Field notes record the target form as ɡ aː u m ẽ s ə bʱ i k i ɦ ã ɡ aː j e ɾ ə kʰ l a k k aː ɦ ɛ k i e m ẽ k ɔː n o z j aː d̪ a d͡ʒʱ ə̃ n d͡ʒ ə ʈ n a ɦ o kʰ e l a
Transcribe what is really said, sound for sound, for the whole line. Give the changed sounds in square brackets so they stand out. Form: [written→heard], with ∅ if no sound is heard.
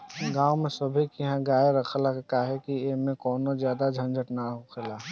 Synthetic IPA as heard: ɡ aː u m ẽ s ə bʱ i k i ɦ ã ɡ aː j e ɾ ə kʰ l a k k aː ɦ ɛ k i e m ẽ k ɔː n o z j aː d̪ a d͡ʒʱ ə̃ n d͡ʒ ə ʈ n a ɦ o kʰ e l a

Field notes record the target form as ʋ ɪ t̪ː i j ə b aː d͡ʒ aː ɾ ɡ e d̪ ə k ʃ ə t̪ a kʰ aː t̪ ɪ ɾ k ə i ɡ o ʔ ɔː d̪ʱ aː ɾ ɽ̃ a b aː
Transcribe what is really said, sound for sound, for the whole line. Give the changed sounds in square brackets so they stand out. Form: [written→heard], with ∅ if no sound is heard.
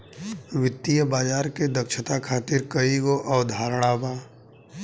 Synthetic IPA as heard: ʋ ɪ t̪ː i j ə b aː d͡ʒ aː ɾ [ɡ→k] e d̪ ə k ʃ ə t̪ a kʰ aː t̪ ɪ ɾ k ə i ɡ o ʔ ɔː d̪ʱ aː ɾ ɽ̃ a b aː

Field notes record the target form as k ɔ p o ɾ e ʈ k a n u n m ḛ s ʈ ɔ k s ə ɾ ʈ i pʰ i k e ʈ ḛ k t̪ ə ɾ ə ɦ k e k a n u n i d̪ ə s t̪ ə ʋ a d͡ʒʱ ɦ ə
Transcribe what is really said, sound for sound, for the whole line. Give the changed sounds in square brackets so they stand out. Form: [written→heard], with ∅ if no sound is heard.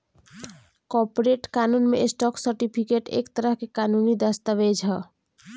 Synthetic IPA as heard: k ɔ p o ɾ e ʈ k a n u n m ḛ s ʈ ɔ k s ə ɾ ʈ i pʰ i k e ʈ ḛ k t̪ ə ɾ ə ɦ k e k a n u n i d̪ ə s t̪ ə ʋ [a→e] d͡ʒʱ ɦ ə

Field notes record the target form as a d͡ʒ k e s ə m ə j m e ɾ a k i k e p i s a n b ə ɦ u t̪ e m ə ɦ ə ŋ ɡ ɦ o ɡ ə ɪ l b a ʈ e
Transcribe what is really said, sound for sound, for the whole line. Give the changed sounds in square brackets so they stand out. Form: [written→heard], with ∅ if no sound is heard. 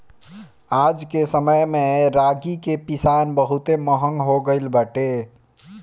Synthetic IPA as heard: a d͡ʒ k e s ə m ə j m e ɾ a [k→ɡ] i k e p i s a n b ə ɦ u t̪ e m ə ɦ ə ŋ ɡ ɦ o ɡ ə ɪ l b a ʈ e

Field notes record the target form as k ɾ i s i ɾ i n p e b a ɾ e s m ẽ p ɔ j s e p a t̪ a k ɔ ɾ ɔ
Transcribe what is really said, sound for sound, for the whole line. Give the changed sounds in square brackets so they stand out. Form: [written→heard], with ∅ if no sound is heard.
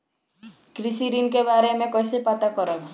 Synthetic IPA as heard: k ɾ i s i ɾ i n [p→k] e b a ɾ e [s→∅] m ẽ [p→k] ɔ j s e p a t̪ a k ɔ ɾ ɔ

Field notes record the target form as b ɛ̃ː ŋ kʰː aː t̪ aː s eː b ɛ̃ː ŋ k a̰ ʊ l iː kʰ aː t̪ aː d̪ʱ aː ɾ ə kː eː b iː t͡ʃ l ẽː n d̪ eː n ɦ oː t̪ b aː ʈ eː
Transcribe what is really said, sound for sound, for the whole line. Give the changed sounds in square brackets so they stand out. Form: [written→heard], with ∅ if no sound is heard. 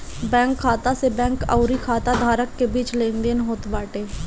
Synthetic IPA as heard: b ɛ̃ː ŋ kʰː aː t̪ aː s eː b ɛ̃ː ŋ k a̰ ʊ [l→ɾ] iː kʰ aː t̪ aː d̪ʱ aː ɾ ə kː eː b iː t͡ʃ l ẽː n d̪ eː n ɦ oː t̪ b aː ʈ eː

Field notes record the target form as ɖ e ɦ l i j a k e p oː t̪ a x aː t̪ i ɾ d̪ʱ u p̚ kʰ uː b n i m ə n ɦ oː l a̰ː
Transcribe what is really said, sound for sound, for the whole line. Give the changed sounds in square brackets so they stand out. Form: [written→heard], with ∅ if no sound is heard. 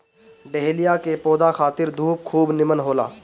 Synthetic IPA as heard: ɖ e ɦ l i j a k e p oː [t̪→d̪] a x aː t̪ [i→ɪ] ɾ d̪ʱ [u→uː] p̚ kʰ uː b n [i→ɪ] m ə n ɦ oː l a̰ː

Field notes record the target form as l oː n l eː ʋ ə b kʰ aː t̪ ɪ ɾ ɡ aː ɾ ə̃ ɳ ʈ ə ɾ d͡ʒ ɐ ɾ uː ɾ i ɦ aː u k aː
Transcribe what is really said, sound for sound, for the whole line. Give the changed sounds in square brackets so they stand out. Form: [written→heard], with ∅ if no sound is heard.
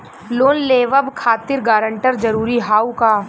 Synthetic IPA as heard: l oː n l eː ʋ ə b kʰ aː t̪ ɪ ɾ ɡ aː ɾ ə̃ ɳ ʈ ə ɾ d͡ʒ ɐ ɾ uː ɾ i ɦ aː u k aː

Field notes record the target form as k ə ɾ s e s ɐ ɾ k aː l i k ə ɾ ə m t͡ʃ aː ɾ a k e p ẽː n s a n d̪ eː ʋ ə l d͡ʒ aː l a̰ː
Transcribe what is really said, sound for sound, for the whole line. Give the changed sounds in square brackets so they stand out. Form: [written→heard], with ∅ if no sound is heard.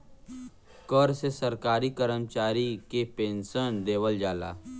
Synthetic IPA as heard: k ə ɾ s e s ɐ ɾ k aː [l→ɾ] i k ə ɾ ə m t͡ʃ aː ɾ [a→i] k e p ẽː n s [a→ə] n d̪ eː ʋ ə l d͡ʒ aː l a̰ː

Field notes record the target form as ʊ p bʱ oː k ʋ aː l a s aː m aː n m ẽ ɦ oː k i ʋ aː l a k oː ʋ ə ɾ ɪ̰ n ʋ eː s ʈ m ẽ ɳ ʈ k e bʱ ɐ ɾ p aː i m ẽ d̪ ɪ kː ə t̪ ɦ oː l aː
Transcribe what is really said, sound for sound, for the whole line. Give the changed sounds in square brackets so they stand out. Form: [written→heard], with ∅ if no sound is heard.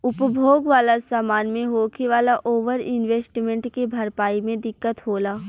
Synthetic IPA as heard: ʊ p bʱ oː [k→ɡ] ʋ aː l a s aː m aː n m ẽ ɦ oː k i ʋ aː l a [k→ʔ] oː ʋ ə ɾ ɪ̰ n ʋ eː s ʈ m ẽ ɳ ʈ k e bʱ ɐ ɾ p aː i m ẽ d̪ ɪ kː ə t̪ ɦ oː l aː

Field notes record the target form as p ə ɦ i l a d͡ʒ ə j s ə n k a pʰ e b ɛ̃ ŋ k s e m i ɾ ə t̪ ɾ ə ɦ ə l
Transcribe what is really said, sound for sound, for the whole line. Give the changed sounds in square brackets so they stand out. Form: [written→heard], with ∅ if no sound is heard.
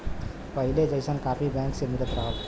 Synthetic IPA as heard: p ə ɦ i l [a→e] d͡ʒ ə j s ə n k a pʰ [e→i] b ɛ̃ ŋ k s e m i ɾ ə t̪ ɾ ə ɦ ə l

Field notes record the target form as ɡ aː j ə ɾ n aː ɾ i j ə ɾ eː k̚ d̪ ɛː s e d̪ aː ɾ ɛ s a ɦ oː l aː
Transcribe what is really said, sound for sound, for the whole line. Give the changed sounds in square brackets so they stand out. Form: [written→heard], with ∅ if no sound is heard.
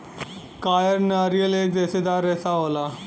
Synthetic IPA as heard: [ɡ→k] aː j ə ɾ n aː ɾ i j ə [ɾ→l] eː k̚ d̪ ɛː s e d̪ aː ɾ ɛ s a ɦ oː l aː

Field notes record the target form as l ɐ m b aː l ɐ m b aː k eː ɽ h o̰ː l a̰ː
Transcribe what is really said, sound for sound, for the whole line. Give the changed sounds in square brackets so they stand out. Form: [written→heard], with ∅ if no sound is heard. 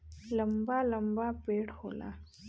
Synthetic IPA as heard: l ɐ m b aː l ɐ m b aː [k→p] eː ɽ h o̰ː l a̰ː

